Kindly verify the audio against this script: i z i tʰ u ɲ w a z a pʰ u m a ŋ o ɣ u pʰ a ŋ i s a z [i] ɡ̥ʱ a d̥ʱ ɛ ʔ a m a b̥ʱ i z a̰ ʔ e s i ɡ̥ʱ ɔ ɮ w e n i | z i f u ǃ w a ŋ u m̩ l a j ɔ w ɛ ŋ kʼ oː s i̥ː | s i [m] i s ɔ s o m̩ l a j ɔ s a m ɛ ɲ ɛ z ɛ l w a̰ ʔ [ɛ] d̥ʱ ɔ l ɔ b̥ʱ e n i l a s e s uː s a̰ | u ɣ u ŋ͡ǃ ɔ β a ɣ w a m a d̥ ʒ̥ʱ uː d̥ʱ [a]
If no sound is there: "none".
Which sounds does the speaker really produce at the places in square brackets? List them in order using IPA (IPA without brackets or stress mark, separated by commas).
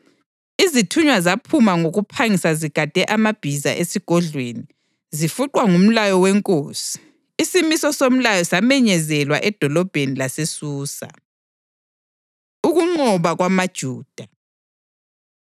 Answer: i, m, ɛ, a